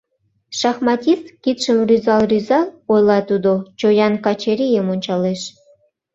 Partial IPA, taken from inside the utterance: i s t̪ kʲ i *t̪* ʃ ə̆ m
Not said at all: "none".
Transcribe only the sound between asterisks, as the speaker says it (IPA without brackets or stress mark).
t̪